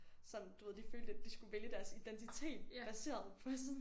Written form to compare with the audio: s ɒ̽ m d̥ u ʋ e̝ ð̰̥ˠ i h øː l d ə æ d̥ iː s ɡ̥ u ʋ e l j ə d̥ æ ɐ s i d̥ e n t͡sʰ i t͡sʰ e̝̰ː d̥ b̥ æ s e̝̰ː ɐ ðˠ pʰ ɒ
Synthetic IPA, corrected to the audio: s ɒ̽ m d̥ u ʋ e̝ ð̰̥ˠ i f øː l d ə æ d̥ i s ɡ̥ u ʋ e l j ə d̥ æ ɐ s i d̥ e n t͡sʰ i t͡sʰ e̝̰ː d̥ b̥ æ s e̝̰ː ɐ ðˠ pʰ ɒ